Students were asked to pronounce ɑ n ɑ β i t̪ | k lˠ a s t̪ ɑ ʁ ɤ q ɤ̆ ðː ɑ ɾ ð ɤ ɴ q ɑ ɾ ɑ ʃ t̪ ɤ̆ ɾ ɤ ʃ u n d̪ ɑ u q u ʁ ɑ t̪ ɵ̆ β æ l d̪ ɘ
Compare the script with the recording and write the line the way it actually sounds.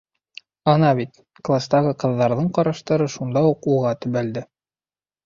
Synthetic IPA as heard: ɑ n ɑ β i t̪ | k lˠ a s t̪ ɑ ʁ ɤ q ɤ̆ ðː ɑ ɾ ð ɤ ɴ q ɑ ɾ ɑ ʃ t̪ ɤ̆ ɾ ɤ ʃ u n d̪ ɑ u q u ʁ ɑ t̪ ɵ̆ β æ l d̪ ɘ